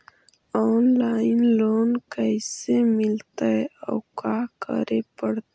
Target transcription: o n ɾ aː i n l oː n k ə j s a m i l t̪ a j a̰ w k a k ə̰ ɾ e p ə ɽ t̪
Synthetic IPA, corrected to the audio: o n l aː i n l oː n k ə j s e m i l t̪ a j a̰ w k a k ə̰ ɾ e p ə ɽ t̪